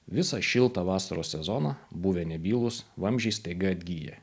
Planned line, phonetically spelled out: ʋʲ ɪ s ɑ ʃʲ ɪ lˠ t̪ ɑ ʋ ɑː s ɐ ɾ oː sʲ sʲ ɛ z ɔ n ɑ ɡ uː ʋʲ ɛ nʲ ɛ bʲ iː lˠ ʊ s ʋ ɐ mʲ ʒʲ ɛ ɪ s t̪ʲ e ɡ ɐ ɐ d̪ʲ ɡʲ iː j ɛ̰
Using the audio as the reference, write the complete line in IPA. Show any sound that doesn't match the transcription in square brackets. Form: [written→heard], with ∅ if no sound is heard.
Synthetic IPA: ʋʲ ɪ s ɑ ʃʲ ɪ lˠ t̪ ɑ ʋ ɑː s ɐ ɾ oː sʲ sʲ ɛ z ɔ n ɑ [ɡ→b] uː ʋʲ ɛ nʲ ɛ bʲ iː lˠ ʊ s ʋ ɐ mʲ ʒʲ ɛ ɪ s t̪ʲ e ɡ ɐ ɐ d̪ʲ ɡʲ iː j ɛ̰